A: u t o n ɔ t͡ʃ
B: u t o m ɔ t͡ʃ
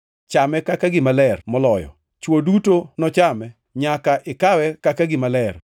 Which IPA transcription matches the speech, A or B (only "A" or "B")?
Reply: A